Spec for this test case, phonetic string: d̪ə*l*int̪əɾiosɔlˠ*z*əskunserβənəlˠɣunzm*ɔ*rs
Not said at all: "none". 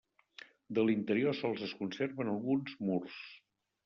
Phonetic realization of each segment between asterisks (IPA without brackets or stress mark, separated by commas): l, z, u